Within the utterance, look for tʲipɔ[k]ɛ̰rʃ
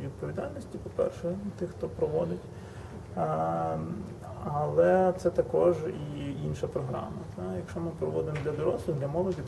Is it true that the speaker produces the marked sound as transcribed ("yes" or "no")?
no